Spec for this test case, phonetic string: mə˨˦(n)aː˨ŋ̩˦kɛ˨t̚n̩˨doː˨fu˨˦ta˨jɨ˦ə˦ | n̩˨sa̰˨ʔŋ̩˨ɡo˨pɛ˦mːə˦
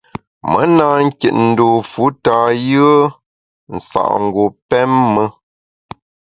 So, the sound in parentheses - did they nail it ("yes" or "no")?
yes